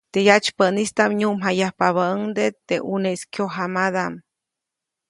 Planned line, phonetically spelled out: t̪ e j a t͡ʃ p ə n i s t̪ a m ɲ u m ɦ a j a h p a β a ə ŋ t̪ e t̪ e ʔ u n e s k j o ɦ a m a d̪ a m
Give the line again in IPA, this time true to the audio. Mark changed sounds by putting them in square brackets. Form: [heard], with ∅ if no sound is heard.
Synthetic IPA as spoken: t̪ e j a t͡ʃ p ə n i s t̪ a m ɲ u m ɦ a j a h p a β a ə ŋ [d̪] e t̪ e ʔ u n e s k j o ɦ a m a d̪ a m